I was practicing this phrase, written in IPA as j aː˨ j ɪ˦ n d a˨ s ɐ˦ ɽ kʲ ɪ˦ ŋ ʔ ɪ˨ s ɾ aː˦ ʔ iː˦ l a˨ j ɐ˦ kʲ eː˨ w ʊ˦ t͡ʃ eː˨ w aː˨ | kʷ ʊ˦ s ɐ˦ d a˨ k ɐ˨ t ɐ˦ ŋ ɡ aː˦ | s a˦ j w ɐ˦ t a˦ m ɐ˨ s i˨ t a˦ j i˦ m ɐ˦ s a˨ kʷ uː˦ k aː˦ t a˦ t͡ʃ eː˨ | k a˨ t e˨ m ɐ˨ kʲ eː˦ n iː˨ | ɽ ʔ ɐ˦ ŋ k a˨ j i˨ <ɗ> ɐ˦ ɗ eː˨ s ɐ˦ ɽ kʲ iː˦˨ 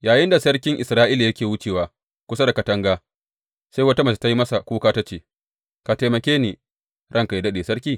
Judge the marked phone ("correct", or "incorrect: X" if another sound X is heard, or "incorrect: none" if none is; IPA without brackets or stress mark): incorrect: d